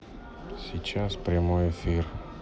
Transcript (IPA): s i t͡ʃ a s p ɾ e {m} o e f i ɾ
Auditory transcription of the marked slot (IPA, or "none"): m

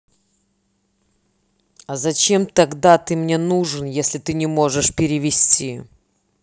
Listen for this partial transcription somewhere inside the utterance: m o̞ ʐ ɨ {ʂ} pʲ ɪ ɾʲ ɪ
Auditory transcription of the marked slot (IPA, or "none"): ʂ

